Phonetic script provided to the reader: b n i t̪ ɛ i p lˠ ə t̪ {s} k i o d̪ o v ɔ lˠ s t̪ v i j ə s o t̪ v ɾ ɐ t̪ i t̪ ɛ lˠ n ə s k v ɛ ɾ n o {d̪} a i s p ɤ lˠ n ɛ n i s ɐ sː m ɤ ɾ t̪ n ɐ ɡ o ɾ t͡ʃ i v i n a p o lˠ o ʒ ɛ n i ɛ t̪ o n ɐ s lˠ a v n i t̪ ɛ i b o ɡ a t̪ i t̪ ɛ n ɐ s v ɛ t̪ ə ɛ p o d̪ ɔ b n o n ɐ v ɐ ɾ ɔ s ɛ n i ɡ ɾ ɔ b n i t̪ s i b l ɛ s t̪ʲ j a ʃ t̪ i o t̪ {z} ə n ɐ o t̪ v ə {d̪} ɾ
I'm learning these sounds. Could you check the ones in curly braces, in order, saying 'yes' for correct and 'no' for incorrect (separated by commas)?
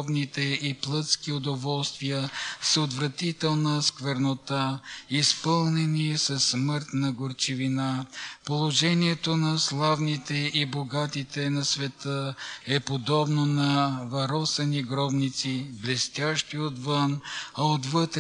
yes, no, no, no